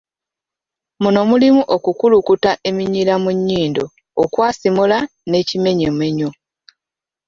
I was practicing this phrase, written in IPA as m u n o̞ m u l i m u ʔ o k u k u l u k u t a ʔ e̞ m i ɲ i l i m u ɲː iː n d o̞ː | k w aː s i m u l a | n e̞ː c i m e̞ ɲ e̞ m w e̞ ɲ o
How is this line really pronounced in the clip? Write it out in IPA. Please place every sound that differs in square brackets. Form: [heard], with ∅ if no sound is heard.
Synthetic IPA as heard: m u n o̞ m u l i m u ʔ o k u k u l u k u t a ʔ e̞ m i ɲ i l [a] m u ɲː iː n d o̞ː | k w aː s i m u l a | n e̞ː c i m e̞ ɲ e̞ m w e̞ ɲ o